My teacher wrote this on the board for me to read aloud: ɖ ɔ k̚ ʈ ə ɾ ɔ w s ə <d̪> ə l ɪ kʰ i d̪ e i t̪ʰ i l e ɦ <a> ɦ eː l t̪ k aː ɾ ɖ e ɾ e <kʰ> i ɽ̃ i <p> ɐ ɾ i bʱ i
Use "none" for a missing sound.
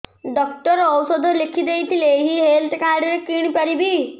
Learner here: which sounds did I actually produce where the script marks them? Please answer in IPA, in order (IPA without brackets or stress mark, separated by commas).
d̪, i, k, p